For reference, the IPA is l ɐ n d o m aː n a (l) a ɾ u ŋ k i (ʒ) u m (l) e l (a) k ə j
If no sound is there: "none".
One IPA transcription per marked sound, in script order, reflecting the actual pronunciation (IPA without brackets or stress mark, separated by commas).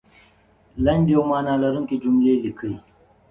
l, d͡ʒ, l, i